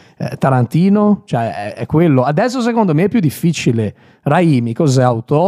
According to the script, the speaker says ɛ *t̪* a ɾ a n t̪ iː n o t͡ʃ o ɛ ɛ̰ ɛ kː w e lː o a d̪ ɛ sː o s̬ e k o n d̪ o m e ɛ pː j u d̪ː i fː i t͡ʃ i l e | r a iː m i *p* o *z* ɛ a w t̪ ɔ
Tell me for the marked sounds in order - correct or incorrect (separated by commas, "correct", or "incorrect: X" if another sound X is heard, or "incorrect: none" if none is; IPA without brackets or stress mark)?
correct, incorrect: k, correct